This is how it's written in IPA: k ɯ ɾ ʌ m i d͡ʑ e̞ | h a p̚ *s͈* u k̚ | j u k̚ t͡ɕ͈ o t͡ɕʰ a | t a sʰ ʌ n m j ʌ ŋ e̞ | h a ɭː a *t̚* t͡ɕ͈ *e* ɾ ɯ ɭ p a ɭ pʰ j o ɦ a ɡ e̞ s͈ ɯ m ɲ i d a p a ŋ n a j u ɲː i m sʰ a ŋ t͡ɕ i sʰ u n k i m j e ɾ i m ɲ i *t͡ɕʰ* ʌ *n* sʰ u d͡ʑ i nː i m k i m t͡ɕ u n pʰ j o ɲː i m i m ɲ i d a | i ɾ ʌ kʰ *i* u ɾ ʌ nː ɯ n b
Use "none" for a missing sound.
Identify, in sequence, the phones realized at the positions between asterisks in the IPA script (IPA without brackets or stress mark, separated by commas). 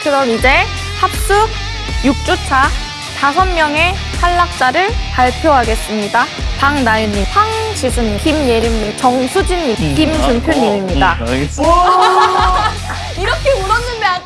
s͈, k̚, a, t͡ɕ, ŋ, e